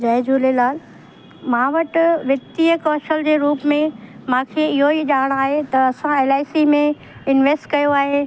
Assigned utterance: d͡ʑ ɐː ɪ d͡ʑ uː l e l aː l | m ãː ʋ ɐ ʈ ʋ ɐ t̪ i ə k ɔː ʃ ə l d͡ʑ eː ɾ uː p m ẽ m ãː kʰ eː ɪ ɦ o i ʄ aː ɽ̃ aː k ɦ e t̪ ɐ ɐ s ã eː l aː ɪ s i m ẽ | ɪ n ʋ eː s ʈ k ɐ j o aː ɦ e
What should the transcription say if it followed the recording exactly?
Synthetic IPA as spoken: d͡ʑ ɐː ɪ d͡ʑ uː l e l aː l | m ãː ʋ ɐ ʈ ʋ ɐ t̪ i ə k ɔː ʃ ə l d͡ʑ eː ɾ uː p m ẽ m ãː kʰ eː ɪ ɦ o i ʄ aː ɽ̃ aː ɦ e t̪ ɐ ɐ s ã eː l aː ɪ s i m ẽ | ɪ n ʋ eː s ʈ k ɐ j o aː ɦ e